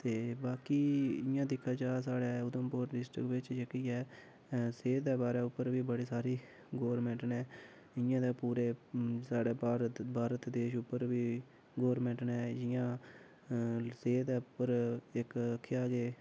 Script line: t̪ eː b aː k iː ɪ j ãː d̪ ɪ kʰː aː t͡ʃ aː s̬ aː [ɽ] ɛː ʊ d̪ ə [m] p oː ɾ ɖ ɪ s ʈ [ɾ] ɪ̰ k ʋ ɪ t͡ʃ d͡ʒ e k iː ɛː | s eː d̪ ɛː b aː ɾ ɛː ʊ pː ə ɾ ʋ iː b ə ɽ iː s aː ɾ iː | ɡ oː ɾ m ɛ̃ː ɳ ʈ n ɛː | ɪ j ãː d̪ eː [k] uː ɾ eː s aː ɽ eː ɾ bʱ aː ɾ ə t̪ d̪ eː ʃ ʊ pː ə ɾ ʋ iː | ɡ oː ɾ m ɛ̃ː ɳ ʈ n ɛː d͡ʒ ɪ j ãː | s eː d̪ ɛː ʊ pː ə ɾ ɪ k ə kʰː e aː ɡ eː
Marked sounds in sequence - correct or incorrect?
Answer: correct, correct, correct, incorrect: p

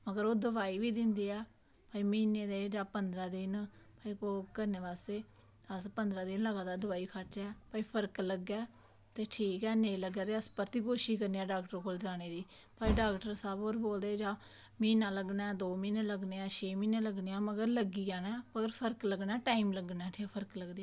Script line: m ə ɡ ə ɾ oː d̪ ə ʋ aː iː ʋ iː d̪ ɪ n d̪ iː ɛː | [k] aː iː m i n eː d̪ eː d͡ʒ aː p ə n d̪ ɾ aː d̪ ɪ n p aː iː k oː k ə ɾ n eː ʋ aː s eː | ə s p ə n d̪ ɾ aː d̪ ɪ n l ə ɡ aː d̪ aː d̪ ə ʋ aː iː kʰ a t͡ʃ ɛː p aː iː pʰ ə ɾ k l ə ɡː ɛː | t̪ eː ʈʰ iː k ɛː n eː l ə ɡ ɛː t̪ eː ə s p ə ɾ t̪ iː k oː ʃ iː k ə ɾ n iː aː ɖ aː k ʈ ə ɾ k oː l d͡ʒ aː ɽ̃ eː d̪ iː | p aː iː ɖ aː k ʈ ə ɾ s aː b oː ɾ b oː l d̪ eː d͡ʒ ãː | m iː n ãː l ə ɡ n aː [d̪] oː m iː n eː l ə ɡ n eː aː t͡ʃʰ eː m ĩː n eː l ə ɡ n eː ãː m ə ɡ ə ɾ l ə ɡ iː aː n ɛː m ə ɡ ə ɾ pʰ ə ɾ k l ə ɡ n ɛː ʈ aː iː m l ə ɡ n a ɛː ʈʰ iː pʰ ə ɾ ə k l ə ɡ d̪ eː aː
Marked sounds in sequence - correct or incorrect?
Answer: incorrect: p, correct

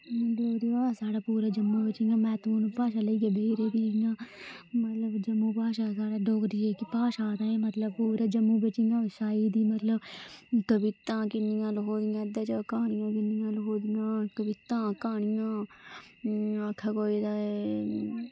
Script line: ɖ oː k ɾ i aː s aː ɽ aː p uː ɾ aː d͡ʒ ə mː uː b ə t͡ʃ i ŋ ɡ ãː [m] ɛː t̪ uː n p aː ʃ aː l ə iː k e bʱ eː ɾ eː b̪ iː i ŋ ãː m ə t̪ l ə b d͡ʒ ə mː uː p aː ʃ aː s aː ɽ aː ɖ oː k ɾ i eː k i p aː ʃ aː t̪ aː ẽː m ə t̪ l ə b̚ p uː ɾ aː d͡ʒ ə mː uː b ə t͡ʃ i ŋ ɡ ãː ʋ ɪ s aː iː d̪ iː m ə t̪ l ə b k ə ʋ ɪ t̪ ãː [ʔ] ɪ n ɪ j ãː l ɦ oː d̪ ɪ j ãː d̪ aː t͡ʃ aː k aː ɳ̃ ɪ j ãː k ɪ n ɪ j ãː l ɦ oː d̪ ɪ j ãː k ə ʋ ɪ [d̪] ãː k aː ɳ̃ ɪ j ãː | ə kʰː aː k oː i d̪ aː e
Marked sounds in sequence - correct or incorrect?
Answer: correct, incorrect: k, incorrect: t̪

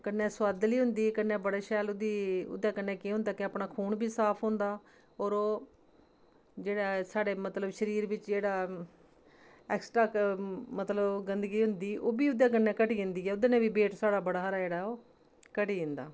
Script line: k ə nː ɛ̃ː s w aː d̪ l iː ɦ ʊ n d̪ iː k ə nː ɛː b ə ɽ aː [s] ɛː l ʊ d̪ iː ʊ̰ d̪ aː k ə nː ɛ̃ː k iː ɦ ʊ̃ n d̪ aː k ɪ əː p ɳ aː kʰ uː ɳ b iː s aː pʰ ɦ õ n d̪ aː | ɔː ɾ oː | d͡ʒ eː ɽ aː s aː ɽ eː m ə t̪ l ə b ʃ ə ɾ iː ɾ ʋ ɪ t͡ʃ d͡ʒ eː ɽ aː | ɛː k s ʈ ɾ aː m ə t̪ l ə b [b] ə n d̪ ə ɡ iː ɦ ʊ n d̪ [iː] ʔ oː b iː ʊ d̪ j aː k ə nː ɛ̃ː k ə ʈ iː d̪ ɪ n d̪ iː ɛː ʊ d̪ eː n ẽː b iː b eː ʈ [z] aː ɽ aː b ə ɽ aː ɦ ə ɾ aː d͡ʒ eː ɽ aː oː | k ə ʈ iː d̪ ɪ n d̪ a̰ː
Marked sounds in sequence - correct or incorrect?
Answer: incorrect: ʃ, incorrect: ɡ, correct, incorrect: s

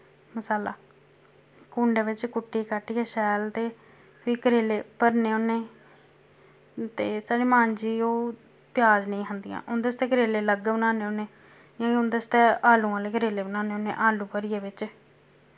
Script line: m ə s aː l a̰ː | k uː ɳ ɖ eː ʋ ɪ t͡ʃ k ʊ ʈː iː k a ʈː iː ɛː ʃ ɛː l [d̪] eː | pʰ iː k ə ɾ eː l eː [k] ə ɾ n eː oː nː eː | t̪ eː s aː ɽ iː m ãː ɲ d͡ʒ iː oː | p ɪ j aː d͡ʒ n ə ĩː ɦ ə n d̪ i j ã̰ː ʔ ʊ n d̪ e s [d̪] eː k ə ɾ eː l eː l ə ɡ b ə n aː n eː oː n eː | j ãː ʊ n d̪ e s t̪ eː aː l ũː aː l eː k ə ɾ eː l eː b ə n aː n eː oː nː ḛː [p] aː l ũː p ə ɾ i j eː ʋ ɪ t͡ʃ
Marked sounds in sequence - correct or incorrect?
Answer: incorrect: t̪, incorrect: p, incorrect: t̪, incorrect: ʔ

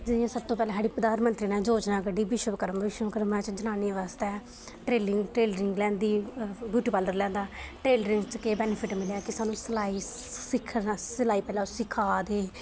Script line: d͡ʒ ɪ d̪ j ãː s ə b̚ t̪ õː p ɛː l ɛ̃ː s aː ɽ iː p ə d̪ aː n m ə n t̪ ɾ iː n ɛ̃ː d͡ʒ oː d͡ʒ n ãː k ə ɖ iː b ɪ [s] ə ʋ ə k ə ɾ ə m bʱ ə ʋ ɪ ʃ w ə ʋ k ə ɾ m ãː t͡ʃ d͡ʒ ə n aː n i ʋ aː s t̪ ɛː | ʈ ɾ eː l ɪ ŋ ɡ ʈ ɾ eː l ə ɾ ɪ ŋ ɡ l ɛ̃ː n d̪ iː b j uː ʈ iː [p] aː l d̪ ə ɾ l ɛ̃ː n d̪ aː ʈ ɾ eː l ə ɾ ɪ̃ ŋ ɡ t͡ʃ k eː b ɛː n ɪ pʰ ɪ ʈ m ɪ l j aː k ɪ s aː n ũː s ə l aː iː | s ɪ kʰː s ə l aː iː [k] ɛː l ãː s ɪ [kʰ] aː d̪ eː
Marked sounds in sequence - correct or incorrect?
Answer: incorrect: ʃ, correct, incorrect: p, correct

